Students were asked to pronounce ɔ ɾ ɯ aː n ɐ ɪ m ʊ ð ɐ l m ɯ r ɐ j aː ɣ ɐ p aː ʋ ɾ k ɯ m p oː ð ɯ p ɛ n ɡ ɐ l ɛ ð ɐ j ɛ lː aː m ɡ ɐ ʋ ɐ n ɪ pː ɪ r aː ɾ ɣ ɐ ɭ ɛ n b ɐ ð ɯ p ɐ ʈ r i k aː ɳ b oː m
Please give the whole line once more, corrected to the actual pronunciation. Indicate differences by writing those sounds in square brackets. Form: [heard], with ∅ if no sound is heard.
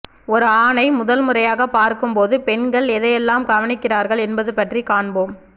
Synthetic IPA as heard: ɔ ɾ ɯ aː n ɐ ɪ m ʊ ð ɐ l m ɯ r ɐ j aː ɣ ɐ p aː [∅] ɾ k ɯ m p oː ð ɯ p ɛ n ɡ ɐ [ɭ] ɛ ð ɐ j ɛ lː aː m ɡ ɐ ʋ ɐ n ɪ [kː] ɪ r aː ɾ ɣ ɐ ɭ ɛ n b ɐ ð ɯ p ɐ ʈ r i k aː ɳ b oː m